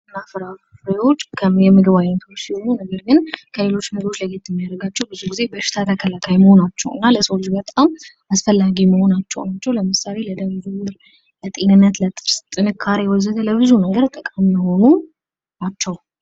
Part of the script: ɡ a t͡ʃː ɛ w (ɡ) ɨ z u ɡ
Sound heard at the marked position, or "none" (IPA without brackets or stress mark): b